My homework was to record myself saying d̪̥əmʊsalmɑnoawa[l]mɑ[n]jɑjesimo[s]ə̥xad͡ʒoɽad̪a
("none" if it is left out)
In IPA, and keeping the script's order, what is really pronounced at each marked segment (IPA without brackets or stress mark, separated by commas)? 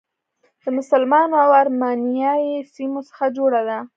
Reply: ɾ, n, s